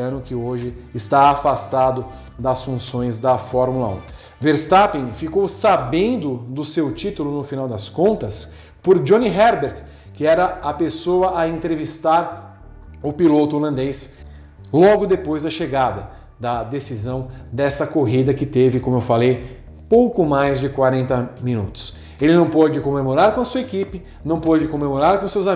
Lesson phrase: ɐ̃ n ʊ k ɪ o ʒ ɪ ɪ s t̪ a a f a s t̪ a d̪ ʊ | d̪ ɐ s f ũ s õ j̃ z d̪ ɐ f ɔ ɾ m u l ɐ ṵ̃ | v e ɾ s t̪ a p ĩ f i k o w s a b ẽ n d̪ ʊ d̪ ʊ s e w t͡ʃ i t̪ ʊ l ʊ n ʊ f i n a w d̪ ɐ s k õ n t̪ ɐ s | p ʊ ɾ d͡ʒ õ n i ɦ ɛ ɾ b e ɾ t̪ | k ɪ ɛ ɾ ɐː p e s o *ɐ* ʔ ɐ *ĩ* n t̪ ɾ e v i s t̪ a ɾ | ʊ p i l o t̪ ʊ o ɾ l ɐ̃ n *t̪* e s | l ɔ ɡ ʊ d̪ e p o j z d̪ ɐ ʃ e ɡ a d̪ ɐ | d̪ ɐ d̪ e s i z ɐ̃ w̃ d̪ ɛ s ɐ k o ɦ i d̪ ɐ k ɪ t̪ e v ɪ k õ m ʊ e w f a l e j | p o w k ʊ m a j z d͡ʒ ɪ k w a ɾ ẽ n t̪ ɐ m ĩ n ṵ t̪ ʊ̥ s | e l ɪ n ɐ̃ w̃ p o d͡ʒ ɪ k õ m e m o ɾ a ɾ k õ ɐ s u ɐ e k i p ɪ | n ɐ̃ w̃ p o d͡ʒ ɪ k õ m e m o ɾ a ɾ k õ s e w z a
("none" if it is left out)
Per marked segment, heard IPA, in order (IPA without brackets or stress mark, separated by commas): ɐ, ẽ, d̪